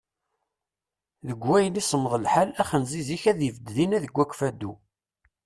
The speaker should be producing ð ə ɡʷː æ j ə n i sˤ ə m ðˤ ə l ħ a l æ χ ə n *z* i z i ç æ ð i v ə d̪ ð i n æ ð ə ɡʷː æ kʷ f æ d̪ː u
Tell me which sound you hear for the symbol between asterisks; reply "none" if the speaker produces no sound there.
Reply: z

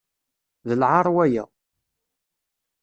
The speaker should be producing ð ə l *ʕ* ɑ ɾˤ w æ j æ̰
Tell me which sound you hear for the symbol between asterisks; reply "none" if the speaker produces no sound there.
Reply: ʕ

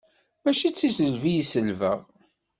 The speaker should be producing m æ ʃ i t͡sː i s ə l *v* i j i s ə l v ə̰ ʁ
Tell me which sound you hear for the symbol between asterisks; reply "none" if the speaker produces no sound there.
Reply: v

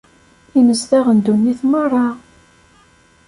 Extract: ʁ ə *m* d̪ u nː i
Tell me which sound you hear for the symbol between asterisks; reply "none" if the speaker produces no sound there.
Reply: n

